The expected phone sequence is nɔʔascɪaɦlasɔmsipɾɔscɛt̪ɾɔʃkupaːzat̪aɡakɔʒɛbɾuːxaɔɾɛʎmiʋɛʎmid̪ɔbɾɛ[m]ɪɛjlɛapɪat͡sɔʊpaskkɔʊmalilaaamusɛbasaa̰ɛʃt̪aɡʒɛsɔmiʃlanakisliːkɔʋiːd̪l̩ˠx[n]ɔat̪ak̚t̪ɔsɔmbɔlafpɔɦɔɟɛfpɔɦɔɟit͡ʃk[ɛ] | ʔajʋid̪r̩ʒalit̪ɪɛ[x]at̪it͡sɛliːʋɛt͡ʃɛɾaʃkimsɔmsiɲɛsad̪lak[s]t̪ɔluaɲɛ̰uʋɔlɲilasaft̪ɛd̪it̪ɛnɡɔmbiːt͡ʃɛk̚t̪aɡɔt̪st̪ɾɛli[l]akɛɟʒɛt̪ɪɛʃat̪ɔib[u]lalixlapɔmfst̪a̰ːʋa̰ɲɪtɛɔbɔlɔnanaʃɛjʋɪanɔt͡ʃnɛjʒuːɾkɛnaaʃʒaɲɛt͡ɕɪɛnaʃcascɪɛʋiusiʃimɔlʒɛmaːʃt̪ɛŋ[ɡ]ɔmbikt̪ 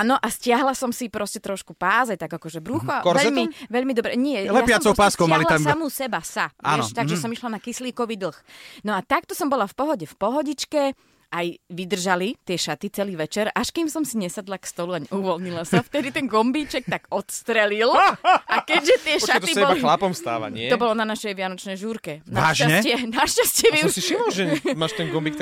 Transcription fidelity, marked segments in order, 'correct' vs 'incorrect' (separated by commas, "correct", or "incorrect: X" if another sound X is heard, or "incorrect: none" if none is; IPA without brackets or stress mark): incorrect: ɲ, correct, correct, incorrect: ʃ, correct, correct, incorrect: ɔ, correct